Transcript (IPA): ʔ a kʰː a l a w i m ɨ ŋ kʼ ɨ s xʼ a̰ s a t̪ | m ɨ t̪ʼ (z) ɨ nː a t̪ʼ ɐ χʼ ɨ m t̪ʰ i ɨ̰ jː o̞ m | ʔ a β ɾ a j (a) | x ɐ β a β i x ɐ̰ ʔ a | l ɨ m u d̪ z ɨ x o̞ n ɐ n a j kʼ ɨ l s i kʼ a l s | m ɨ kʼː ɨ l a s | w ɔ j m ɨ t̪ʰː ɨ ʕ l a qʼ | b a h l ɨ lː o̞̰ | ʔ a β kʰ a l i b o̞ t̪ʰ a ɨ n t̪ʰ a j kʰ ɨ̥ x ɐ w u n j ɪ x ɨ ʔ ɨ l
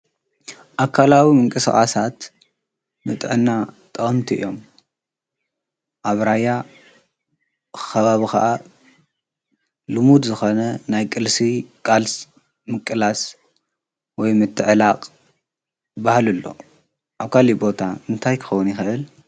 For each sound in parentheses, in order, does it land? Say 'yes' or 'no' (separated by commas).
no, yes